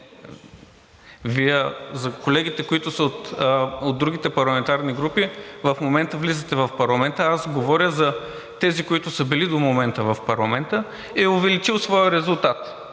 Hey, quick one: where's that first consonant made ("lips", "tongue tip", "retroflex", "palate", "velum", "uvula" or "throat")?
lips